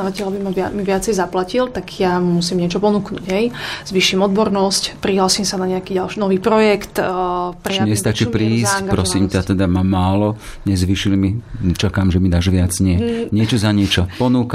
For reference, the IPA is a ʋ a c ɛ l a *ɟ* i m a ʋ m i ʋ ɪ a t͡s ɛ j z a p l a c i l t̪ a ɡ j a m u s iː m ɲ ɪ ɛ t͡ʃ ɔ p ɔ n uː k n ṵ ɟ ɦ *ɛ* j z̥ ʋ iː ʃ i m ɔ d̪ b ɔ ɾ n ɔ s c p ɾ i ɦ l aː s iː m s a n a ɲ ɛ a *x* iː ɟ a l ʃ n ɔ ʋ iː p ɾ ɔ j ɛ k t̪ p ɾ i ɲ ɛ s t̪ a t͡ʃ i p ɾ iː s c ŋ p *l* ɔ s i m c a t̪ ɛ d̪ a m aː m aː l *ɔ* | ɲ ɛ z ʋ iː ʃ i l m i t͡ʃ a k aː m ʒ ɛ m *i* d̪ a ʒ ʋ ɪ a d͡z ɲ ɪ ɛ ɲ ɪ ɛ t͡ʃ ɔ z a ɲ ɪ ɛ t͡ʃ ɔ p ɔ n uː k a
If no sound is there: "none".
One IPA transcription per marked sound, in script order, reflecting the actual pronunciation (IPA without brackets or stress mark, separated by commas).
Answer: b, ɛ, k, ɾ, ɔ, i